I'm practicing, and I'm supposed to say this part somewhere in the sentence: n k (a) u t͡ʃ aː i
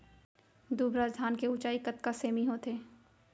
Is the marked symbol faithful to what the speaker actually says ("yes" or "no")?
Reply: no